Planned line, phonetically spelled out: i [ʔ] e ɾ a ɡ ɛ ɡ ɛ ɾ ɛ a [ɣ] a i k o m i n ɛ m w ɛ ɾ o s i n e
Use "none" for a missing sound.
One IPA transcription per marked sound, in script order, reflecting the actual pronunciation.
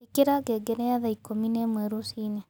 k, ð

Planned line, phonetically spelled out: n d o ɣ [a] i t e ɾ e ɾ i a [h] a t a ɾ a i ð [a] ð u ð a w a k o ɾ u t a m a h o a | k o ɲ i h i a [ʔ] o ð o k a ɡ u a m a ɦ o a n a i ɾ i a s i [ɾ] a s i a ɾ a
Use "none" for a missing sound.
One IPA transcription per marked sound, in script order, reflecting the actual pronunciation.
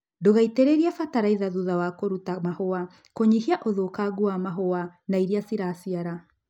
a, f, a, ʔ, ɾ

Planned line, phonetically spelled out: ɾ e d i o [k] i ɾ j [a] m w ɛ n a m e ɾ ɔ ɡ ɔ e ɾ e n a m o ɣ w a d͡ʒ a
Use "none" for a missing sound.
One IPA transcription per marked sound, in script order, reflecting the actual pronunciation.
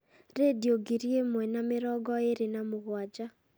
ɡ, e

